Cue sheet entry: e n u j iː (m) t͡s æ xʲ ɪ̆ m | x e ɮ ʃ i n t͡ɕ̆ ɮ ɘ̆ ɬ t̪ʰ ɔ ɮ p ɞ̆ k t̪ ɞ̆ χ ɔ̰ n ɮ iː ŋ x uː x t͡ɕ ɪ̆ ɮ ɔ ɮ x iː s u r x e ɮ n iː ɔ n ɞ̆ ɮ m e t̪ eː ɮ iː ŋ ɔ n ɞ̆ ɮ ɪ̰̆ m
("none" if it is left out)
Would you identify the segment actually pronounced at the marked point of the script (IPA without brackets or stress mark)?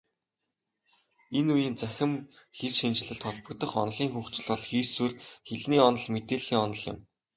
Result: n